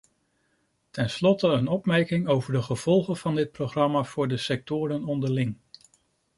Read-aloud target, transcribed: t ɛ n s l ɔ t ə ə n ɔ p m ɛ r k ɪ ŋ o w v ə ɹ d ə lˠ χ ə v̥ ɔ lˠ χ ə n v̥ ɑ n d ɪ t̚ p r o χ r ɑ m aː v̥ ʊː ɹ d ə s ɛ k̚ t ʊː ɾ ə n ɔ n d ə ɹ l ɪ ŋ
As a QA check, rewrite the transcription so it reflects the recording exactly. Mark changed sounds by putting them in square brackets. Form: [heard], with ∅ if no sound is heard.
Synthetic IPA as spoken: t ɛ n s l ɔ t ə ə n ɔ p m ɛ [ɹ] k ɪ ŋ o w v ə ɹ d ə [∅] χ ə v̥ ɔ lˠ χ ə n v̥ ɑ n d ɪ t̚ p r o χ r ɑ m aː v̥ ʊː ɹ d ə s ɛ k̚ t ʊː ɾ ə n ɔ n d ə ɹ l ɪ ŋ